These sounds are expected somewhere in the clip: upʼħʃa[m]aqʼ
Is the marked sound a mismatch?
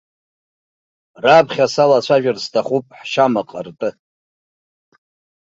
no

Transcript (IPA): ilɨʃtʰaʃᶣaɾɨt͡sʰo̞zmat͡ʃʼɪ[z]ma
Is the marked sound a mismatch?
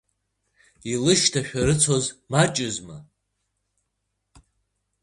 no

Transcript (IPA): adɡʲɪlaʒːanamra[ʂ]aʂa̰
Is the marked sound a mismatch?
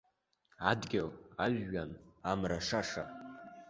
no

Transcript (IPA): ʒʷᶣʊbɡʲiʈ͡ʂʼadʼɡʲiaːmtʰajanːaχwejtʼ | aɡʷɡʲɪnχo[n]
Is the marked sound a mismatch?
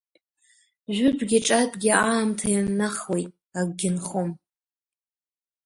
yes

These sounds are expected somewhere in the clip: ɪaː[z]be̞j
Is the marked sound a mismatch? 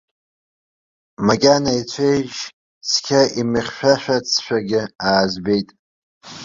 no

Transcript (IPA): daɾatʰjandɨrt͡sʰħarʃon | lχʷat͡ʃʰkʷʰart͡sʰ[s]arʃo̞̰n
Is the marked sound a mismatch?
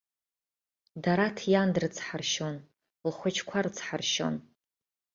yes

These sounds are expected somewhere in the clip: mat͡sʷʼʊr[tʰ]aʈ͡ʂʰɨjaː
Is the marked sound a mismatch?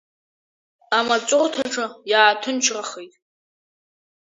no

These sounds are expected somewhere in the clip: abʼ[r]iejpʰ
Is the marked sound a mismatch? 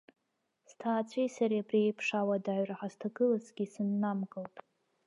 no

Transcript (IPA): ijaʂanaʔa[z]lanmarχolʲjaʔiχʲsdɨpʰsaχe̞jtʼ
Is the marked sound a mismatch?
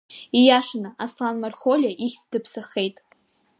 yes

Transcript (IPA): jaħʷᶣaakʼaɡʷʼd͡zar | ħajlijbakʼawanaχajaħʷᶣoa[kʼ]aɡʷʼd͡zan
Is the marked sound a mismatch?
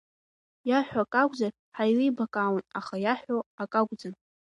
no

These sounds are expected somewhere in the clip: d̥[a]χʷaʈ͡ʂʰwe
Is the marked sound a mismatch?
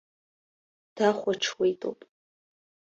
no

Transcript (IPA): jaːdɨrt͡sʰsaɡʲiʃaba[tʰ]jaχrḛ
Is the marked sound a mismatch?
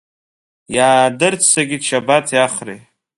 no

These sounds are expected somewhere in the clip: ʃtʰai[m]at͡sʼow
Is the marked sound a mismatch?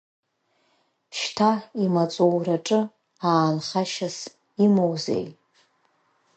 no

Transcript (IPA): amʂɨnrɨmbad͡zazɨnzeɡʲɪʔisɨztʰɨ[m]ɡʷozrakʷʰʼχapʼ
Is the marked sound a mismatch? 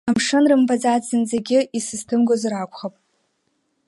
no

